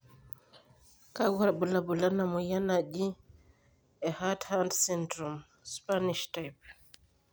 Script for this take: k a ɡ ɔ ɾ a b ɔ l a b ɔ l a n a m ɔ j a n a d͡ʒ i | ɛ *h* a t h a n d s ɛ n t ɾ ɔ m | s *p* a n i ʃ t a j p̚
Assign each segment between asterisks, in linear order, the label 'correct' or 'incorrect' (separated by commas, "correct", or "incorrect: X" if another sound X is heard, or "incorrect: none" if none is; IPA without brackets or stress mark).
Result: correct, correct